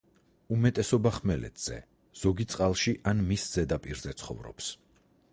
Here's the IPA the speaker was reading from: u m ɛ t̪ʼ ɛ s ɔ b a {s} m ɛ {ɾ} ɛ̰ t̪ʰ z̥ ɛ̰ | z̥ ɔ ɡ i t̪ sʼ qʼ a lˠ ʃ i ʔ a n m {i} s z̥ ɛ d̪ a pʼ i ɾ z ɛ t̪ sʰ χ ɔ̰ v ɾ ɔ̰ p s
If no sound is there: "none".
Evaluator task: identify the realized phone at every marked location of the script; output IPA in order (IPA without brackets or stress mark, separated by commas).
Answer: χ, l, i